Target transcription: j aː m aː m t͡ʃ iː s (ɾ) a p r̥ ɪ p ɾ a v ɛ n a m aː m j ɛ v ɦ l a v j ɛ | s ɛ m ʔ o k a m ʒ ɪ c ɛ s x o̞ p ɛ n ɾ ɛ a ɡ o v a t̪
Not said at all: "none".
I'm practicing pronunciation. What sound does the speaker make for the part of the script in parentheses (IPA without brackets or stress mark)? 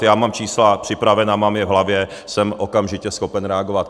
l